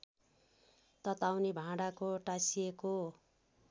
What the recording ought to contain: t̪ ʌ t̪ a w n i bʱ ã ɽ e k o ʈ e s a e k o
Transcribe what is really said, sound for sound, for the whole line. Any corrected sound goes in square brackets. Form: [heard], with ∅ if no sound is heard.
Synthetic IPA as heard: t̪ ʌ t̪ a w n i bʱ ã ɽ [a] k o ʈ [a] s [i] e k o